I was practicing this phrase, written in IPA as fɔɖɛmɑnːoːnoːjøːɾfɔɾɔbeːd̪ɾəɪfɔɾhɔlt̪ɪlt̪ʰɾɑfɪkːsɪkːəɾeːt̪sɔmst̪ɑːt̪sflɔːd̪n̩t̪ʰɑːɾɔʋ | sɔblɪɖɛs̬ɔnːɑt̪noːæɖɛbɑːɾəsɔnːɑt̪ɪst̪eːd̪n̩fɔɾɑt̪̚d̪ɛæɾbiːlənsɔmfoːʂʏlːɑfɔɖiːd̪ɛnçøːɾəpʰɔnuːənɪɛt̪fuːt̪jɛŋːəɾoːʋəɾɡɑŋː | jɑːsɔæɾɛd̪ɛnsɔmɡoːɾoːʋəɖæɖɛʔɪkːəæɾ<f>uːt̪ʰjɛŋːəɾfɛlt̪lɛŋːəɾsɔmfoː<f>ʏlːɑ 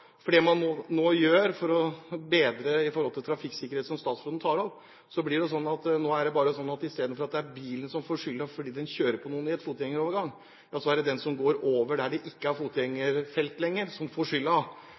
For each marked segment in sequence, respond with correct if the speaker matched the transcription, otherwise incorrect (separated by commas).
correct, incorrect